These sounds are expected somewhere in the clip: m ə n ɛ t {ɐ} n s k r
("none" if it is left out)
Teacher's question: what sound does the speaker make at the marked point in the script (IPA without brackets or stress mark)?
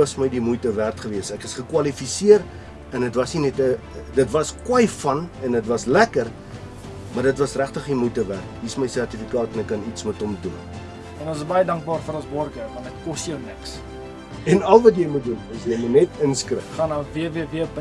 ə